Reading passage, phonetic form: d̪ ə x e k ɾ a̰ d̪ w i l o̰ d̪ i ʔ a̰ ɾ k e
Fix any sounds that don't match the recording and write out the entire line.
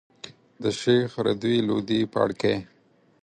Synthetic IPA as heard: d̪ ə ʃ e x ɾ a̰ d̪ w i l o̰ d̪ i p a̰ ɽ k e